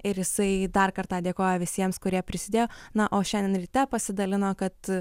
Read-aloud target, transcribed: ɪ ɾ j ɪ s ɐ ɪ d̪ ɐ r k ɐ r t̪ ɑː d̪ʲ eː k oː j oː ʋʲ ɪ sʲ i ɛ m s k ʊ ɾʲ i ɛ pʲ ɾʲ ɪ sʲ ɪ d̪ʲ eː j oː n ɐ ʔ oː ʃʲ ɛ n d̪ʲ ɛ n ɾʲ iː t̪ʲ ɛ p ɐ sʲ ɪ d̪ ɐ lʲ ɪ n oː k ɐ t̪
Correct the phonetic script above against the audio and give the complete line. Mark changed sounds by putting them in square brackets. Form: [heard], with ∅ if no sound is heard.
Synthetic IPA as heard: ɪ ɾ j ɪ s ɐ ɪ d̪ ɐ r k ɐ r t̪ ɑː d̪ʲ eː k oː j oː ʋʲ ɪ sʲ i ɛ m s k ʊ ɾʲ i ɛ pʲ ɾʲ ɪ sʲ ɪ d̪ʲ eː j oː n ɐ ʔ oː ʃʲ ɛ n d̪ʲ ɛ n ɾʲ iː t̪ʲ ɛ p ɐ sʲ ɪ d̪ ɐ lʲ ɪ n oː k ɐ t̪